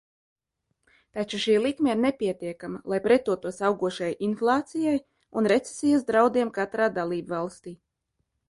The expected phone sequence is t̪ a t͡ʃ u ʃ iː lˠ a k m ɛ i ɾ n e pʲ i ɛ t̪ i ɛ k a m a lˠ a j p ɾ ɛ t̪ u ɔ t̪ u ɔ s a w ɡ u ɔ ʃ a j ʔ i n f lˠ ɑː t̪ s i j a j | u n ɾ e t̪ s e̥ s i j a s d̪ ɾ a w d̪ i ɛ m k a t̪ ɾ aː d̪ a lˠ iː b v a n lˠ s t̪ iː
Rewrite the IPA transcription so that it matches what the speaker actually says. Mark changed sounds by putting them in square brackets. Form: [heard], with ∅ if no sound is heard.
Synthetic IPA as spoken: t̪ a t͡ʃ u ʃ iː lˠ [i] k m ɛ i ɾ n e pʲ i ɛ t̪ i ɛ k a m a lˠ a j p ɾ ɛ t̪ u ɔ t̪ u ɔ s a w ɡ u ɔ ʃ a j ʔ i n f lˠ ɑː t̪ s i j a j | u n ɾ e t̪ s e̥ s i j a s d̪ ɾ a w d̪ i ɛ m k a t̪ ɾ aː d̪ a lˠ iː b v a [∅] lˠ s t̪ iː